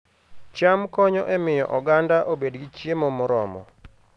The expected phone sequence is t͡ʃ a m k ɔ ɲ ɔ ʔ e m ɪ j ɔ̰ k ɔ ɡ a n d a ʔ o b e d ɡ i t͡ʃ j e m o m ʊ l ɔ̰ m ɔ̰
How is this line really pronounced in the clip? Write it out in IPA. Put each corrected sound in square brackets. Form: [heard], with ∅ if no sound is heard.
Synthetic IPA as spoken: t͡ʃ a m k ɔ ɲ ɔ ʔ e m ɪ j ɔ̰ [ʔ] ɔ ɡ a n d a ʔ o b e d ɡ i t͡ʃ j e m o m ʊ [ɾ] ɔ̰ m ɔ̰